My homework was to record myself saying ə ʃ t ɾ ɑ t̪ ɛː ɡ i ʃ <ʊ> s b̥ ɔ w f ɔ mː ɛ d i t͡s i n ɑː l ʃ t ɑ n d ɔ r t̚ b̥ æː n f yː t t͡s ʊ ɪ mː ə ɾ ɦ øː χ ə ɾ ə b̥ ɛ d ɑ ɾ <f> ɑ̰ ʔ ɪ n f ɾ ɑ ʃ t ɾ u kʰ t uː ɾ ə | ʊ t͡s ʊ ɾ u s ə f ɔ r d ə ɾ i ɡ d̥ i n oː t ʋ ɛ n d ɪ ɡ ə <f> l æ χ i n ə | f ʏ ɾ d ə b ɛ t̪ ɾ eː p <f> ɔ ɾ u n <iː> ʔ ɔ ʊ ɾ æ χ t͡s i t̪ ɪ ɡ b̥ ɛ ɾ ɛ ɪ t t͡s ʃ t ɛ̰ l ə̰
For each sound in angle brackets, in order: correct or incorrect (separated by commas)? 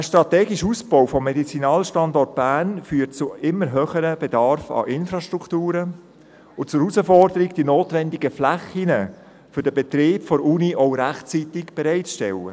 incorrect, correct, correct, correct, incorrect